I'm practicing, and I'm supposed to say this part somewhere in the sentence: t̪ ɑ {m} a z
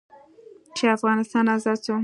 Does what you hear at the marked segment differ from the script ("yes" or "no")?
yes